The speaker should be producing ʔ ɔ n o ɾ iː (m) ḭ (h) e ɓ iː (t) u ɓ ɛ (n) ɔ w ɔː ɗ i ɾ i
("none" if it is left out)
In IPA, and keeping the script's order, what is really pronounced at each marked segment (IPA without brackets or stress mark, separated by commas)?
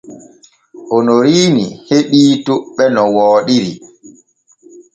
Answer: n, h, t, n